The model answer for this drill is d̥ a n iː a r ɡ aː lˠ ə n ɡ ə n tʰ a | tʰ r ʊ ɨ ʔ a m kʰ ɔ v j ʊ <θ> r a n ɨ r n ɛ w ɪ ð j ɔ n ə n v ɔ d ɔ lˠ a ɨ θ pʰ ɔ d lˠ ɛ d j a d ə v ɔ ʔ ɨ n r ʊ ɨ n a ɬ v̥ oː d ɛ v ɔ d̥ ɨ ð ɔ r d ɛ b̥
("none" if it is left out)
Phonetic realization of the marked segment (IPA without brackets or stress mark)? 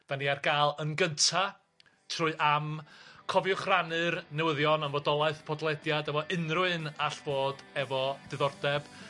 χ